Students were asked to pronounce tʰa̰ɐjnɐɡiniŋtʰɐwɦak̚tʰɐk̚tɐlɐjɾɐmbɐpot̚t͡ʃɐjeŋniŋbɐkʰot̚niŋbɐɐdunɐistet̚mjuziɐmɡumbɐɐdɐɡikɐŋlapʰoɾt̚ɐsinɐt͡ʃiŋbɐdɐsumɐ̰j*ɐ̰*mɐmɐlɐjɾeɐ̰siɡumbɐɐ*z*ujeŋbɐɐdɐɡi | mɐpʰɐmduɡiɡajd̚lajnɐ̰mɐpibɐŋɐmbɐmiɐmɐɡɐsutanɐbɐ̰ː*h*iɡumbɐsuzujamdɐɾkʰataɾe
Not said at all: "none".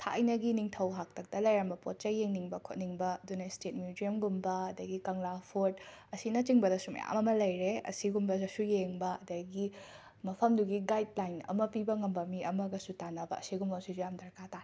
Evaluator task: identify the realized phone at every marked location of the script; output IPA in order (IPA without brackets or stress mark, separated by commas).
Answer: a̰, s, s